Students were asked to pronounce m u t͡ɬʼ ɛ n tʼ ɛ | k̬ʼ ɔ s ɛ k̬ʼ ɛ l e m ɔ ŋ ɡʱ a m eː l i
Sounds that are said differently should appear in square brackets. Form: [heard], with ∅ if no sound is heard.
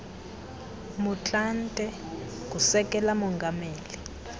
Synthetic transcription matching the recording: m u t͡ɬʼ [a] n tʼ ɛ | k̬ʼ [u] s ɛ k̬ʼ ɛ l [a] m ɔ ŋ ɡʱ a m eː l i